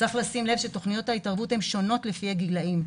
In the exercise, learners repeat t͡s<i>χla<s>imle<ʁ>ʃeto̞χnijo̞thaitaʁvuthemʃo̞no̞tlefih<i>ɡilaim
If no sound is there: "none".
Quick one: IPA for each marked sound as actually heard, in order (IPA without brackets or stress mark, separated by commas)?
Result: a, s, v, a